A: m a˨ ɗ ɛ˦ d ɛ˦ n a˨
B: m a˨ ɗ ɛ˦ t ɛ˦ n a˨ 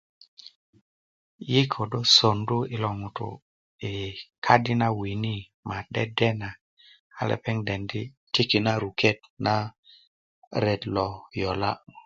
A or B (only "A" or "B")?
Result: A